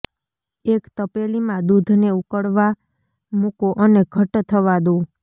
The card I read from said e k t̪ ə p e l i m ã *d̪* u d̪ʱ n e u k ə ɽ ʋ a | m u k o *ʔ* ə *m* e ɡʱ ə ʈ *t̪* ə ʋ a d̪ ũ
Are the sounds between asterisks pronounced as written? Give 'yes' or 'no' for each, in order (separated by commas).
yes, yes, no, no